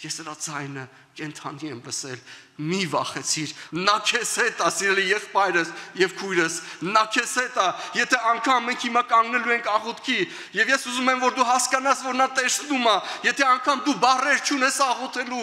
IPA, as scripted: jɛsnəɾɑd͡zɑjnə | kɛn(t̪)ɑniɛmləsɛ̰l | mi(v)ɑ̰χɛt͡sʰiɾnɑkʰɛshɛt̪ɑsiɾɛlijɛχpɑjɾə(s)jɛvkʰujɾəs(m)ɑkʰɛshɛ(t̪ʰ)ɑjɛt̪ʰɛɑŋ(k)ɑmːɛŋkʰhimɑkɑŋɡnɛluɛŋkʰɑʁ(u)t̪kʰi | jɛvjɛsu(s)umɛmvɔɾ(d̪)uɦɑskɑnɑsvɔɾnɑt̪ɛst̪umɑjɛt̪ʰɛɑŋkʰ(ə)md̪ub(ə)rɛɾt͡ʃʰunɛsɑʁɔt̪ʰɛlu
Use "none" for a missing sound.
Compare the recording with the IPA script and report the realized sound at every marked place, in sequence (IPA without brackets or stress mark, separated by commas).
t̪ʰ, v, s, n, t̪, kʰ, ɔ, z, d̪, ɑ, ɑ